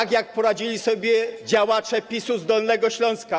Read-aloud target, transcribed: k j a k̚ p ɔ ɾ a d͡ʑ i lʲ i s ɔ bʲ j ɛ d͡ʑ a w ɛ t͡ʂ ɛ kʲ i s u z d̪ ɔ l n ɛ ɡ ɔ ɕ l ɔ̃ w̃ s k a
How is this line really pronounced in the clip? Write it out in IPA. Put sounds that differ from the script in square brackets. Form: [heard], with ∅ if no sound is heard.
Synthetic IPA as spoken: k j a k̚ p ɔ ɾ a d͡ʑ i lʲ i s ɔ bʲ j ɛ d͡ʑ a w [a] t͡ʂ ɛ [pʲ] i s u z d̪ ɔ l n ɛ ɡ ɔ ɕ l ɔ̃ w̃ s k a